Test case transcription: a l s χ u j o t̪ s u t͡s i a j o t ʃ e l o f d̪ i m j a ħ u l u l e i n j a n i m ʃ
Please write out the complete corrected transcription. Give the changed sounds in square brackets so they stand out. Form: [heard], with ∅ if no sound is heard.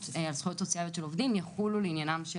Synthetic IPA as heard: a l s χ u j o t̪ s [o] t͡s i a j o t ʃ e l o [v] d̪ i m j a [χ] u l u l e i n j a n [a] m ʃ